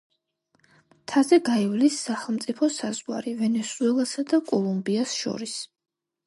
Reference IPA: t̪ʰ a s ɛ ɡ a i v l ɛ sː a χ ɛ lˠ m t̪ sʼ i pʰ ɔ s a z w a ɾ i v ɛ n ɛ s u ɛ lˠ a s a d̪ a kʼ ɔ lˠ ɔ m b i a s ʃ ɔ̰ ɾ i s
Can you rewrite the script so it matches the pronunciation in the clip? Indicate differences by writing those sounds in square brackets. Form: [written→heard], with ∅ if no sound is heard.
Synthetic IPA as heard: t̪ʰ a [s→z] ɛ ɡ a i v l [ɛ→i] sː a χ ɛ lˠ m t̪ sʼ i pʰ ɔ s a z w a ɾ i v ɛ n ɛ s u ɛ lˠ a s a d̪ a kʼ ɔ lˠ [ɔ→u] m b i a s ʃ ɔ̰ ɾ i s